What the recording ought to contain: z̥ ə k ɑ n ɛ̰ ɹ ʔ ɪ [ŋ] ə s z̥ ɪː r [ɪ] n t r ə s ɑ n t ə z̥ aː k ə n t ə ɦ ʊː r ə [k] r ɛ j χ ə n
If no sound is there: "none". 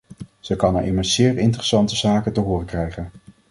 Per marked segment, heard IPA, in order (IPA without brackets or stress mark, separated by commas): m, ɪ, k